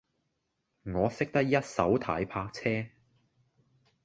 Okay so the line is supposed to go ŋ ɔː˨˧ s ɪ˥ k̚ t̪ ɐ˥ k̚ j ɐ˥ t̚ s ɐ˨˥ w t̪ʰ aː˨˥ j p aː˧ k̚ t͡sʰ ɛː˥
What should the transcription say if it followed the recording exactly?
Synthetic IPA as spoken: ŋ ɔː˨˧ s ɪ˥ k̚ t̪ ɐ˥ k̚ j ɐ˥ t̚ s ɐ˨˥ w t̪ʰ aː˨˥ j pʰ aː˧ k̚ t͡sʰ ɛː˥